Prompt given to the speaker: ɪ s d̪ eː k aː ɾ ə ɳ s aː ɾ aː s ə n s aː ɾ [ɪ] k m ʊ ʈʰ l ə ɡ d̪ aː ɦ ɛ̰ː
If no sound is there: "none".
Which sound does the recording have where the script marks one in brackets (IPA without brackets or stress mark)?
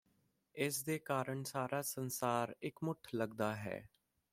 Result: ɪ